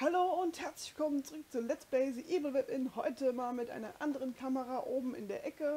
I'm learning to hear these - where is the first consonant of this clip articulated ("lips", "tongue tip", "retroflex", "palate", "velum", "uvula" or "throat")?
throat